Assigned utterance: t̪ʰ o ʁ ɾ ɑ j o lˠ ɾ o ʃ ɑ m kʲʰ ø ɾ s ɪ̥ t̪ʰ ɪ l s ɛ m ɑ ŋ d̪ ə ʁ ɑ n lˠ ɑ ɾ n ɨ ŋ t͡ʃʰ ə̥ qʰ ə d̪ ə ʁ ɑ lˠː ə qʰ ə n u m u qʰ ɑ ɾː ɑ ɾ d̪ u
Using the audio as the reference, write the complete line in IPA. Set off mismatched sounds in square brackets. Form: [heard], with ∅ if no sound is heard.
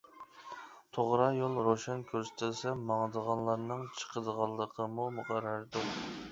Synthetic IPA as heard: t̪ʰ o ʁ ɾ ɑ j o lˠ ɾ o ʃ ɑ [n] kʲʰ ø ɾ s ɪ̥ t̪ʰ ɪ l s ɛ m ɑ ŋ d̪ ə ʁ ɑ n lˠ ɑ ɾ n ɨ ŋ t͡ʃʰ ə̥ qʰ ə d̪ ə ʁ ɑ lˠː ə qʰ ə [m] u m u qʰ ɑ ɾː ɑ ɾ d̪ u